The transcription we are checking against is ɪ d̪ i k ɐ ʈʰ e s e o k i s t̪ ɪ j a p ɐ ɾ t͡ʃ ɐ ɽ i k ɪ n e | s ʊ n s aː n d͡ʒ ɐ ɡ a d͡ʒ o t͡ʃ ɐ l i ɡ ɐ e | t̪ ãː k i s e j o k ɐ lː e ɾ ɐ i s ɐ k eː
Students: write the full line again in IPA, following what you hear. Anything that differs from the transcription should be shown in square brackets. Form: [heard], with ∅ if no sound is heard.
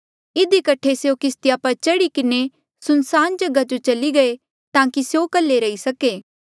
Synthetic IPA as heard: ɪ d̪ i k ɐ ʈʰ e s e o k [ɪ] s t̪ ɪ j a p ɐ ɾ t͡ʃ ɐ ɽ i k ɪ n e | s ʊ n s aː n d͡ʒ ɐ ɡ a d͡ʒ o t͡ʃ ɐ l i ɡ ɐ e | t̪ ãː k i s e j o k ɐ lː e ɾ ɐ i s ɐ k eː